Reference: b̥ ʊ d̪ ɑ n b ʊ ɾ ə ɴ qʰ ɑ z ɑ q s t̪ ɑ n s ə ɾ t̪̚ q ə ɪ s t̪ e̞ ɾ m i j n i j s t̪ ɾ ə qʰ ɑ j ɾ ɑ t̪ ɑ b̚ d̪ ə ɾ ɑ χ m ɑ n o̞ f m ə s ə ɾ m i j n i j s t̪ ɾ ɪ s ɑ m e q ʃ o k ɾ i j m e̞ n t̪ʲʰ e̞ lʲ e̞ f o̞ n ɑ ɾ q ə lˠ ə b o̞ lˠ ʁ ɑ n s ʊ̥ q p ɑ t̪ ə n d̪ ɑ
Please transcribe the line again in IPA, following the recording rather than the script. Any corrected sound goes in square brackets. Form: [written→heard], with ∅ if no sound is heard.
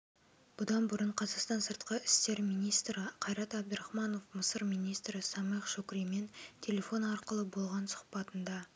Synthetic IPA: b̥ ʊ d̪ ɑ n b ʊ ɾ ə ɴ qʰ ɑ z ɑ q s t̪ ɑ n s ə ɾ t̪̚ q ə ɪ s t̪ e̞ ɾ m i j n i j s t̪ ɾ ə qʰ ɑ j ɾ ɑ t̪ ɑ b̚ d̪ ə ɾ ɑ χ m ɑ n o̞ f m ə s ə ɾ m i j n i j s t̪ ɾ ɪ s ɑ m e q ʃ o k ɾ i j m e̞ n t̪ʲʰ e̞ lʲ e̞ f o̞ n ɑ ɾ q ə lˠ ə b o̞ lˠ ʁ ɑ n s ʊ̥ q p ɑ t̪ ə n d̪ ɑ